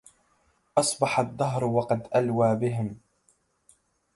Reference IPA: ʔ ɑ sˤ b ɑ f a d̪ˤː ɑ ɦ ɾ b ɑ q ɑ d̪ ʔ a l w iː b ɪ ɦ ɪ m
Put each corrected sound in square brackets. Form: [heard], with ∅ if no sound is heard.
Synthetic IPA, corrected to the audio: ʔ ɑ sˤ b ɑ [ħ] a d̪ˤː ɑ ɦ ɾ [w] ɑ q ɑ d̪ ʔ a l w [aː] b ɪ ɦ ɪ m